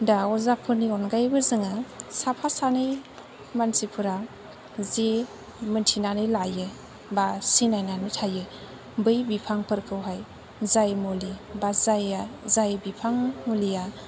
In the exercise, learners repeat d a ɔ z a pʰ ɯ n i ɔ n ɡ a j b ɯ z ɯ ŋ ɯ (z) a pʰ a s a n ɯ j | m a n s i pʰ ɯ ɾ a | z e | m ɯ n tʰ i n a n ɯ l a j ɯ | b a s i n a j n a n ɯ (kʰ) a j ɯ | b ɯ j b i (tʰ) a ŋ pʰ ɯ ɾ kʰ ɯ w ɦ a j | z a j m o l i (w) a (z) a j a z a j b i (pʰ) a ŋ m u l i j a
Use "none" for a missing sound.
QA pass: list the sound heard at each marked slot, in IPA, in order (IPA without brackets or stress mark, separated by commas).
s, tʰ, pʰ, b, z, pʰ